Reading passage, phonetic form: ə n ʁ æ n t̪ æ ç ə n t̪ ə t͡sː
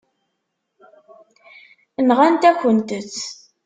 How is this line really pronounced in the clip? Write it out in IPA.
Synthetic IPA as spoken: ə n ʁ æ n t̪ æ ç ə n t̪ ə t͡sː